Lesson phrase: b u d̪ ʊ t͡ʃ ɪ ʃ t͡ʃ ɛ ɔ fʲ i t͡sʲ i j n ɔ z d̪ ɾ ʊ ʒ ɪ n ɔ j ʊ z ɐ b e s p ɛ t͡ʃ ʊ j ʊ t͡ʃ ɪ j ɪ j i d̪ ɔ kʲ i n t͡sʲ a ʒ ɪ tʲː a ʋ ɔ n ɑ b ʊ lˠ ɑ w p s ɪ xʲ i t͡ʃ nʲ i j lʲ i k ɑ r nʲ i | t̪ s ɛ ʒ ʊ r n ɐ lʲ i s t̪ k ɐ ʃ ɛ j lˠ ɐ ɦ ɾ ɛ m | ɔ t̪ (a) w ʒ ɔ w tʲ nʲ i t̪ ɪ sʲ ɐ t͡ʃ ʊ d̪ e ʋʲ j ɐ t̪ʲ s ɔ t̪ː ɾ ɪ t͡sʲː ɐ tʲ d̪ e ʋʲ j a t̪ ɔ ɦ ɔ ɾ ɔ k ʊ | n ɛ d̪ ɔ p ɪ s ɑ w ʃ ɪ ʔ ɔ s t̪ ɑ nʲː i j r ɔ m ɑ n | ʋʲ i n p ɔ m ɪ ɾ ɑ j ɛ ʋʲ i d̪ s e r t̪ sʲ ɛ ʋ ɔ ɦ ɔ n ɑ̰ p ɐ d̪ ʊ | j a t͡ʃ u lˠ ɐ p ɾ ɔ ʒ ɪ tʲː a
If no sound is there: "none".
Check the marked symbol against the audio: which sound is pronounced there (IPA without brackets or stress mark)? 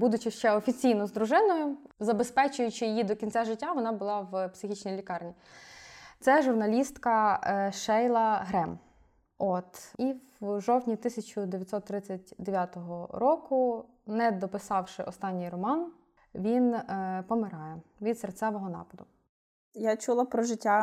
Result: i